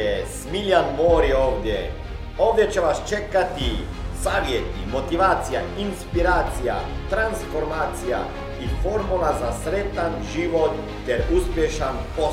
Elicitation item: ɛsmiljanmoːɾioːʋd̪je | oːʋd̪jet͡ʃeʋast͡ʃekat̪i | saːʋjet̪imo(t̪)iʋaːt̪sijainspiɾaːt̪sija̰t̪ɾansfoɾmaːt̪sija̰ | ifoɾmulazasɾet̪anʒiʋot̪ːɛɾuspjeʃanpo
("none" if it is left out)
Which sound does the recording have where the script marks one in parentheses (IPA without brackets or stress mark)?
t̪